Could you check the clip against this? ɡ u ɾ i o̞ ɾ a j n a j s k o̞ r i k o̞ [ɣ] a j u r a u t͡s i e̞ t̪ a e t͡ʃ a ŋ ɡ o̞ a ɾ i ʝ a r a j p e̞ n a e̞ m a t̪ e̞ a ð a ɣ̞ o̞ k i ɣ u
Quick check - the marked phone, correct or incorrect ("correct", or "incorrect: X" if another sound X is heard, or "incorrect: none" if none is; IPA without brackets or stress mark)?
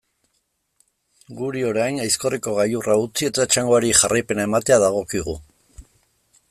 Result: correct